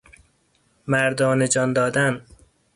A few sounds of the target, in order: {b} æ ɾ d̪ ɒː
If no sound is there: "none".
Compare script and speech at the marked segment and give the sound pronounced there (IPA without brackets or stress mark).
m